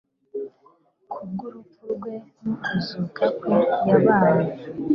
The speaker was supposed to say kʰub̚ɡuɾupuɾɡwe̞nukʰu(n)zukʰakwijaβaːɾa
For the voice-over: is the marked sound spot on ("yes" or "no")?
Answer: no